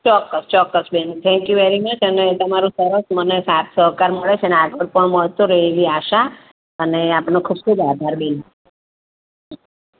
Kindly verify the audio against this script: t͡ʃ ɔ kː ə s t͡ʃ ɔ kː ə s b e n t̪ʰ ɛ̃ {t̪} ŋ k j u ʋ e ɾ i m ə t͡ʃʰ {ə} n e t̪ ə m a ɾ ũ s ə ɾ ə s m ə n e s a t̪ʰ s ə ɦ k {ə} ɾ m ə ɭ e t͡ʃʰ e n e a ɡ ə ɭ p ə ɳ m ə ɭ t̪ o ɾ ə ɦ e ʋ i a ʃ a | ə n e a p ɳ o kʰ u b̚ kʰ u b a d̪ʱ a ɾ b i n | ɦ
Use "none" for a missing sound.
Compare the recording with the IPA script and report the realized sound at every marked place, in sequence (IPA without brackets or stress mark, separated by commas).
none, ə, a